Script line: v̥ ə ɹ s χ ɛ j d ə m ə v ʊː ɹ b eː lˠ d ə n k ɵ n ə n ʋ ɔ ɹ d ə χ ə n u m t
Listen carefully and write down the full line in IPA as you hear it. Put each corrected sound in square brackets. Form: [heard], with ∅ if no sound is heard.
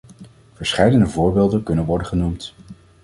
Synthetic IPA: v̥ ə ɹ s χ ɛ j d ə [n] ə v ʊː ɹ b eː lˠ d ə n k ɵ n ə n ʋ ɔ ɹ d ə χ ə n u m t